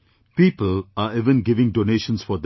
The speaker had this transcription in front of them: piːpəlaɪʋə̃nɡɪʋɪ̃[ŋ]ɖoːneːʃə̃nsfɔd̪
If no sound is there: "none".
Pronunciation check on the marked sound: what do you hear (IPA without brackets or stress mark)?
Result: ŋ